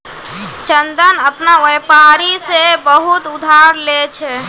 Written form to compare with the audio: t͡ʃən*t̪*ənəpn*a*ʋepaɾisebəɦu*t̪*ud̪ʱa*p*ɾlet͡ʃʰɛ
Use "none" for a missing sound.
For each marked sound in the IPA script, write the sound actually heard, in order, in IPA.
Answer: d̪, a, t̪, none

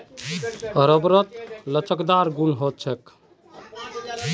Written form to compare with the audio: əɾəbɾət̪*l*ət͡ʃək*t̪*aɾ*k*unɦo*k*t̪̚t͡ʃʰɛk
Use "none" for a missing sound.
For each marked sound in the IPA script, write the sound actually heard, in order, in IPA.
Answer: l, d̪, ɡ, none

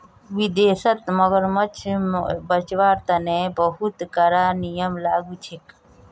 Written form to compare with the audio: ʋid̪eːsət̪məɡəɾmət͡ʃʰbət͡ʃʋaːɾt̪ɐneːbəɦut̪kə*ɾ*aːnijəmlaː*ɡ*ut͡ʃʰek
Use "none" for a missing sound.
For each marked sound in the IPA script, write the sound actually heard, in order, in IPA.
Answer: ɾ, ɡ

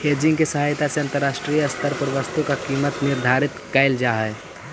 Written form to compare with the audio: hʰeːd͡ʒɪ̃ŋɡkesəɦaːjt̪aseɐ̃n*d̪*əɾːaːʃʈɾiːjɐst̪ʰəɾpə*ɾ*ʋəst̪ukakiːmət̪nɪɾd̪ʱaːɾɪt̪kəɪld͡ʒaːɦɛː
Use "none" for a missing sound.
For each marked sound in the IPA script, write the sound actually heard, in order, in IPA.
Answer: t̪, ɾ

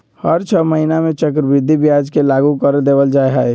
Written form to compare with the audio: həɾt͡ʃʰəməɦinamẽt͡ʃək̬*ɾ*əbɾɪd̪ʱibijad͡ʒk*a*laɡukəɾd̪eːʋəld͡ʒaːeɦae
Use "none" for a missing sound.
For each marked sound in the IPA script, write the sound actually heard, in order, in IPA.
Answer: ɾ, e

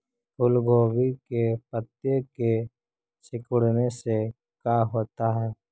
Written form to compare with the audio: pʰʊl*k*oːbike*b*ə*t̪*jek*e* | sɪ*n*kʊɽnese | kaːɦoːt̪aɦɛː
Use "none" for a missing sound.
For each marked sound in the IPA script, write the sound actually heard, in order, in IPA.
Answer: ɡ, p, t̪, e, none

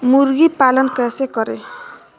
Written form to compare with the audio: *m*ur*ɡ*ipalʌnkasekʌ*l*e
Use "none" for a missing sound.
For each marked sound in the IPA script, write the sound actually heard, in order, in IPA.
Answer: m, ɡ, ɾ

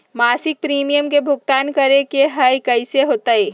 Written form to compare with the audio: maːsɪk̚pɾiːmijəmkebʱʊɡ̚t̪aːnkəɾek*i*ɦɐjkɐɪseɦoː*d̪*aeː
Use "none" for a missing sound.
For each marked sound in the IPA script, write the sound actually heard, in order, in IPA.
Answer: e, t̪

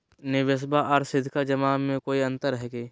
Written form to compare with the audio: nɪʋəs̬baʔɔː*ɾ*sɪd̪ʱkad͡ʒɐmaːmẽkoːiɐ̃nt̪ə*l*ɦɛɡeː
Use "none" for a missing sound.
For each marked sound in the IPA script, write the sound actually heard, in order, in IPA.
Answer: ɾ, ɾ

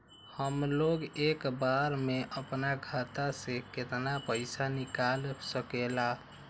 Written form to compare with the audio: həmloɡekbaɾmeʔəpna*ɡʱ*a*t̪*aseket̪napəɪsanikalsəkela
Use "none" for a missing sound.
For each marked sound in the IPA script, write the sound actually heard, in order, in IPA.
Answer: ɡʱ, t̪

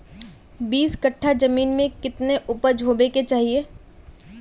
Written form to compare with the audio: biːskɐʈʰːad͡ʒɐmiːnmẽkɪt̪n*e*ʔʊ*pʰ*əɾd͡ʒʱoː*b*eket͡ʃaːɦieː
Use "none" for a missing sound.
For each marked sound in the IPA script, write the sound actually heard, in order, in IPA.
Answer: e, p, b

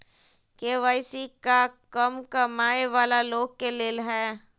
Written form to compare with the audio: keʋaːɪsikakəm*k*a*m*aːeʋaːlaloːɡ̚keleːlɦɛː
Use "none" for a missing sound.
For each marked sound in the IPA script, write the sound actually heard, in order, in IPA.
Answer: k, m

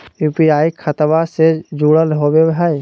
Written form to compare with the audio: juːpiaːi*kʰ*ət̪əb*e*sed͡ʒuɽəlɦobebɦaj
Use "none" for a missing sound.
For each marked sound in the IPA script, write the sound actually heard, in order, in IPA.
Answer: kʰ, a

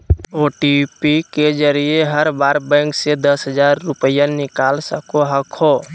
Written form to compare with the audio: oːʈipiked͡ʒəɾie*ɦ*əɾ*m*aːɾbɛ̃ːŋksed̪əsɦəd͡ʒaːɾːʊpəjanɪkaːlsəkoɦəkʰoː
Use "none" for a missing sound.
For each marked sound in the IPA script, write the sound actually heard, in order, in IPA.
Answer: ɦ, b

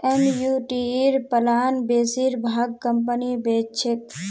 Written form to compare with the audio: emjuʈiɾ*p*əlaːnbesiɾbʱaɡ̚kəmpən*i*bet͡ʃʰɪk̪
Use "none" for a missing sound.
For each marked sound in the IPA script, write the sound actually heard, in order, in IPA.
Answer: p, i

